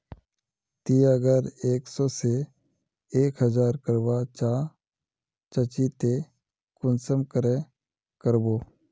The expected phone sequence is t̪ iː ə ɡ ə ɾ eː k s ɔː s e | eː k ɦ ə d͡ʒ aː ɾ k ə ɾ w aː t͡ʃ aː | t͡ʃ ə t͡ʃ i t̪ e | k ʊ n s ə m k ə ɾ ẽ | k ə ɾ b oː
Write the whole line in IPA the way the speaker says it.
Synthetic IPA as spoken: t̪ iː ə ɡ ə ɾ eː k s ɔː s e | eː k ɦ ə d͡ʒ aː ɾ k ə ɾ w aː t͡ʃ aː | t͡ʃ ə t͡ʃ i t̪ e | k ʊ n s ə m k ə ɾ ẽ | k ə ɾ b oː